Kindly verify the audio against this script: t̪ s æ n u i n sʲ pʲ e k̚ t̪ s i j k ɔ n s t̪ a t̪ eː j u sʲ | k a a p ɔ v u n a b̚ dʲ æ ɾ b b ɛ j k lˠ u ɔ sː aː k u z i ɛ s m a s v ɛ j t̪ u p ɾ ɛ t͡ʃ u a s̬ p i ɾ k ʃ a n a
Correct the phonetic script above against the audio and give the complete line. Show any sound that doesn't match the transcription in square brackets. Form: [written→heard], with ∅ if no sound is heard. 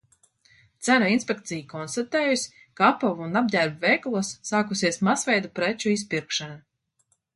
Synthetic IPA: t̪ s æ n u i n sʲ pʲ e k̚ t̪ s i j k ɔ n s t̪ a t̪ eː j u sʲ | k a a p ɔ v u n a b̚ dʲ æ ɾ b [b→v] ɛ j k lˠ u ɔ sː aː k u [z→s] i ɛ s m a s v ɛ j [t̪→d̪] u p ɾ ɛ t͡ʃ u [a→i] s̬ p i ɾ k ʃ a n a